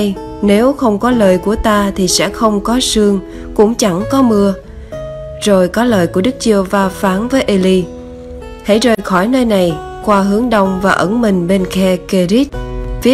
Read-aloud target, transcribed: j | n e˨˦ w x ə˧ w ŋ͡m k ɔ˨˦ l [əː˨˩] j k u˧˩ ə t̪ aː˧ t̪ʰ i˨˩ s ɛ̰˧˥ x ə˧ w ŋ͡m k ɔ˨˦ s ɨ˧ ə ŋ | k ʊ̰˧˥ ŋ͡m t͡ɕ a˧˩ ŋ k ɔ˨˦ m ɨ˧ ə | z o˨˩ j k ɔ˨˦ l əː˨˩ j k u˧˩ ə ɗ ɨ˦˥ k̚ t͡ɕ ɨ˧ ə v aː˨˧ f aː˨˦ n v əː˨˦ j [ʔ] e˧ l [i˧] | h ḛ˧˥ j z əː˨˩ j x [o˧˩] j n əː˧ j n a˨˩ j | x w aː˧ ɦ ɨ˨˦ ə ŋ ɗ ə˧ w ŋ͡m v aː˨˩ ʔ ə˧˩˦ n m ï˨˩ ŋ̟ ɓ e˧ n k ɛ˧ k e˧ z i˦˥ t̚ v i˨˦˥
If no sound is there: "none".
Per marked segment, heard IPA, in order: əː˨˩, ʔ, i˧, ɔ˧˩

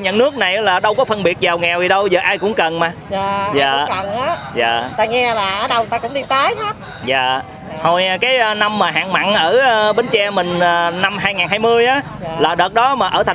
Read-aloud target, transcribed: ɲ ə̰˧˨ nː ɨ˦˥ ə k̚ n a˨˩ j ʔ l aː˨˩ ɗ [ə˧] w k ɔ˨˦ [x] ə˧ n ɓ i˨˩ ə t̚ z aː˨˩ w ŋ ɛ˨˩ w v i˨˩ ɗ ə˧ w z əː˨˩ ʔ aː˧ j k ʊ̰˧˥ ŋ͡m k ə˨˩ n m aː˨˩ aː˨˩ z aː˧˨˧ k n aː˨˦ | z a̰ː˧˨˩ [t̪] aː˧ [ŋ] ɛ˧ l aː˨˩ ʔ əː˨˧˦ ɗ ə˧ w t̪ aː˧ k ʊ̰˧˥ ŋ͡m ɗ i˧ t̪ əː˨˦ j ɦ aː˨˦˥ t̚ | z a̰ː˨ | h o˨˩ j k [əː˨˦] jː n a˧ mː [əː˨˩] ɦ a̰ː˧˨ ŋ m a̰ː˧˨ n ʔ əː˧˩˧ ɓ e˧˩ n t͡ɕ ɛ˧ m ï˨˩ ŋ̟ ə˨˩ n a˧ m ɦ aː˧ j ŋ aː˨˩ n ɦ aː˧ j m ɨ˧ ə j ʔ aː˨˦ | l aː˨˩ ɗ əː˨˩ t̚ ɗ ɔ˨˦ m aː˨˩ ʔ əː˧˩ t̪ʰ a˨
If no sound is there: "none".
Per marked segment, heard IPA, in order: ə˧, f, t̪, ŋ, aː˨˦, aː˨˩

